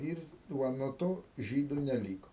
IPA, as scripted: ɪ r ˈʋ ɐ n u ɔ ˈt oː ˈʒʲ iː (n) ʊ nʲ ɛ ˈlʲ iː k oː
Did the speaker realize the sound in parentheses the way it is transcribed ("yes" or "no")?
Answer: no